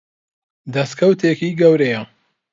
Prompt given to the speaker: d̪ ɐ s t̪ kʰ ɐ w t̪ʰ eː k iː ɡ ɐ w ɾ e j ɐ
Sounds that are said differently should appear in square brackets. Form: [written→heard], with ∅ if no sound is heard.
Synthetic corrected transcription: d̪ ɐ s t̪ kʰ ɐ w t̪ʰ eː k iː ɡ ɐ w ɾ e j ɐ